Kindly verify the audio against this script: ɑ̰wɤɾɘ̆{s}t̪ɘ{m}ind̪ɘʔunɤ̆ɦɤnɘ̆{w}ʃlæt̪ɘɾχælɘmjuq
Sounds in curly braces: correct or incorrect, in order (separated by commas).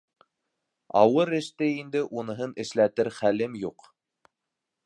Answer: incorrect, incorrect, incorrect